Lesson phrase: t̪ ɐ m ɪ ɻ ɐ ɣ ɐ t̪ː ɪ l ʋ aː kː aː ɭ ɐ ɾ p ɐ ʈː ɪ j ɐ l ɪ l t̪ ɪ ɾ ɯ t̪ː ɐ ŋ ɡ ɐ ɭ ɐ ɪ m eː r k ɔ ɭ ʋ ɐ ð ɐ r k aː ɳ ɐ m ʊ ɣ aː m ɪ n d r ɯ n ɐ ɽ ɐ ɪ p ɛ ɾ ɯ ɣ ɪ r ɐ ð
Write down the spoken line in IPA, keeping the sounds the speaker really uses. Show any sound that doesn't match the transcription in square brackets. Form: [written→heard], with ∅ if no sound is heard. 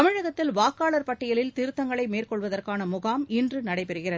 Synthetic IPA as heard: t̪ ɐ m ɪ ɻ ɐ ɣ ɐ t̪ː ɪ l ʋ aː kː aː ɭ ɐ ɾ p ɐ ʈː ɪ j ɐ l ɪ l t̪ ɪ ɾ ɯ t̪ː ɐ ŋ ɡ ɐ ɭ ɐ ɪ m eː r k ɔ ɭ ʋ ɐ ð ɐ r k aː [ɳ→n] ɐ m ʊ ɣ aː m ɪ n d r ɯ n ɐ ɽ ɐ ɪ p ɛ ɾ ɯ ɣ ɪ r ɐ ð